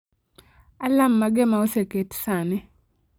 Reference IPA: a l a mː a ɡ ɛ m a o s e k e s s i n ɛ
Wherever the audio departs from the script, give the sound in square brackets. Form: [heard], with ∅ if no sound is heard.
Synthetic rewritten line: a l a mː a ɡ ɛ m a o s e k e [t] s [a] n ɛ